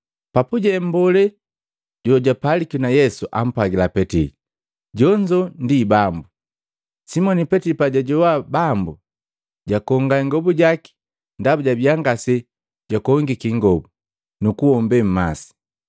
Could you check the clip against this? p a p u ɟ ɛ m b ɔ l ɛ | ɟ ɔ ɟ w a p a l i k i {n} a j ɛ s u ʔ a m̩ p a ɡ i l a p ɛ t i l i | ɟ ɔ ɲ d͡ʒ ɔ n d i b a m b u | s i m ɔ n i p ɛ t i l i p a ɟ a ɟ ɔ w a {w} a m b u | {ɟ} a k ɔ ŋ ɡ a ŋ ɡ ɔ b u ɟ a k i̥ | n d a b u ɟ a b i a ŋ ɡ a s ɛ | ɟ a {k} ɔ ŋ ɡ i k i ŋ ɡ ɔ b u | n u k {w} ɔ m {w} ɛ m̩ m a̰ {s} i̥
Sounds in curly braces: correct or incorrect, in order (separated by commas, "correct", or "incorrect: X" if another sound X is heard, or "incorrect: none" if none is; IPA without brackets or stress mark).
correct, incorrect: b, correct, correct, incorrect: u, incorrect: b, correct